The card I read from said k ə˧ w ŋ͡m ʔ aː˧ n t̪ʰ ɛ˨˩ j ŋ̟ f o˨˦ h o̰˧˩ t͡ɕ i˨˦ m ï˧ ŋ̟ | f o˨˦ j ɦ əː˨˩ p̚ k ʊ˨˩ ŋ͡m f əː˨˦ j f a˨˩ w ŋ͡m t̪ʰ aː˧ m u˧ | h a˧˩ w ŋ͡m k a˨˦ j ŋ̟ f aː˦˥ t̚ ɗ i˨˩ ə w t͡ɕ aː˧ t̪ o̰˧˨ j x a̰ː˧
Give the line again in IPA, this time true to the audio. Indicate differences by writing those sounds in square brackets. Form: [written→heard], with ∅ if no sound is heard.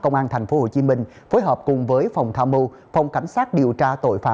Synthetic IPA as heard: k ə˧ w ŋ͡m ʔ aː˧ n t̪ʰ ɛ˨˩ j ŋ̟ f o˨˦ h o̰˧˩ t͡ɕ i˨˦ m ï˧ ŋ̟ | f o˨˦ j ɦ əː˨˩ p̚ k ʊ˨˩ ŋ͡m [f→v] əː˨˦ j f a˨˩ w ŋ͡m t̪ʰ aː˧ m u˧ | [h→f] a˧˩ w ŋ͡m k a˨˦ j ŋ̟ [f→s] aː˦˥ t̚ ɗ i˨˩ ə w t͡ɕ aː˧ t̪ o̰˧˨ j [x→f] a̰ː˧